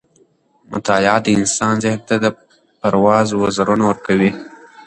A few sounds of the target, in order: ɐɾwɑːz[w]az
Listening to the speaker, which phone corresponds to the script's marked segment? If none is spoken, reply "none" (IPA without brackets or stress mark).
w